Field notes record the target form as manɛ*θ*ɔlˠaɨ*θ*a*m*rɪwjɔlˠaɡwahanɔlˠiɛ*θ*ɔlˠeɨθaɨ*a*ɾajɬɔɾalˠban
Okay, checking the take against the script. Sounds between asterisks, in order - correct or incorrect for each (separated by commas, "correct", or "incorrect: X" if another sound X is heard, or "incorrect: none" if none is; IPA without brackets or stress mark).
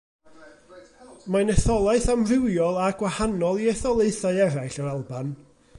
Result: correct, correct, correct, correct, incorrect: ɛ